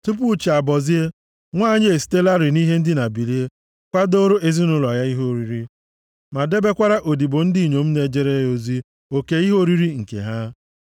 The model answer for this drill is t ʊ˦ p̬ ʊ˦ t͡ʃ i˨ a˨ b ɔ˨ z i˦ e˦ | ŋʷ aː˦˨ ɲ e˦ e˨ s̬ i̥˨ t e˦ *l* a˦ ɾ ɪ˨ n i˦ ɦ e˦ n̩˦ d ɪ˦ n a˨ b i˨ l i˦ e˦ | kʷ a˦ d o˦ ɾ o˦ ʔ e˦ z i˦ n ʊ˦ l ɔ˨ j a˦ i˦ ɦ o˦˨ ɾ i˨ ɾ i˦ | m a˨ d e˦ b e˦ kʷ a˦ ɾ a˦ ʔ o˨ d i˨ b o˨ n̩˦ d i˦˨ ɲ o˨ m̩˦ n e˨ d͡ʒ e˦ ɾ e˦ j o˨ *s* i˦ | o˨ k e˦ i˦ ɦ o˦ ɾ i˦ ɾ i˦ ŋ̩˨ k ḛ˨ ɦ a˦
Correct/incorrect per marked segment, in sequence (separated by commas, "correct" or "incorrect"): correct, incorrect